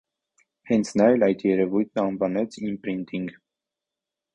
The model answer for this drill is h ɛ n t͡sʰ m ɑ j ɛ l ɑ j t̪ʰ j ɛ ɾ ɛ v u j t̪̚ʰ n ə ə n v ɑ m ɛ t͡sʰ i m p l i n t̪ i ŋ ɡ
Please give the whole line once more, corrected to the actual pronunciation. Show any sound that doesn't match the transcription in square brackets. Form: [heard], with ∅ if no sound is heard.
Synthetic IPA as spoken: h ɛ n t͡sʰ [n] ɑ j ɛ l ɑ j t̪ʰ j ɛ ɾ ɛ v u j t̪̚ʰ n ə [ɑ] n v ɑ [n] ɛ t͡sʰ i m p [ɾ] i n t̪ i ŋ ɡ